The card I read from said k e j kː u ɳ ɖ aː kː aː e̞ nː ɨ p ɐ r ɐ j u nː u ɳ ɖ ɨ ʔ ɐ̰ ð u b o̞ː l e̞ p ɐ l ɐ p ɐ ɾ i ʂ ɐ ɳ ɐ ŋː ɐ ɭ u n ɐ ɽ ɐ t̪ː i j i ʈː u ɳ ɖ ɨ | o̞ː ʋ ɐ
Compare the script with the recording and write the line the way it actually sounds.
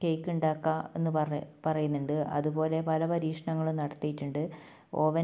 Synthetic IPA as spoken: k e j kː u ɳ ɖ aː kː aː e̞ nː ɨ p ɐ r ɐ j u nː u ɳ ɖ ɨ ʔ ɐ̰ ð u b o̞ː l e̞ p ɐ l ɐ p ɐ ɾ iː ʂ ɐ ɳ ɐ ŋː ɐ ɭ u n ɐ ɽ ɐ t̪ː i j i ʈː u ɳ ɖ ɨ | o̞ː ʋ ɐ